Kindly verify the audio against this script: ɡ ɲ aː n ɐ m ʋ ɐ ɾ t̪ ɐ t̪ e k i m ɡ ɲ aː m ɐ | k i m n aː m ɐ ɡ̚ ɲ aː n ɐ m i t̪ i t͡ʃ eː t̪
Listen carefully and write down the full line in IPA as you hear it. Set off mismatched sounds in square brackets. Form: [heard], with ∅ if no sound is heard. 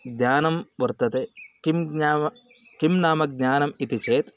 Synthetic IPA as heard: ɡ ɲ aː n ɐ m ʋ ɐ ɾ t̪ ɐ t̪ e k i m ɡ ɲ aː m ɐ | k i m n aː m ɐ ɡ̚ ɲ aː n ɐ m i t̪ i t͡ʃ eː t̪